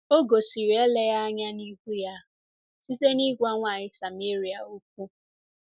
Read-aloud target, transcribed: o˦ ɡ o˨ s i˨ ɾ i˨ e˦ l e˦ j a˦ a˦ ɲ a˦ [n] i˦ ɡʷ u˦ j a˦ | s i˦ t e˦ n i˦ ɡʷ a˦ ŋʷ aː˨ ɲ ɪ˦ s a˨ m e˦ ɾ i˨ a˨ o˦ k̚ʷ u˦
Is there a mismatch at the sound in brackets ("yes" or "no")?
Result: no